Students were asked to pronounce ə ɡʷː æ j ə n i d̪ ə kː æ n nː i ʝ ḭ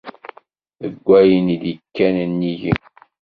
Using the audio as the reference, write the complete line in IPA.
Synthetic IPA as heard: ə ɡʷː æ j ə n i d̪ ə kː æ n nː i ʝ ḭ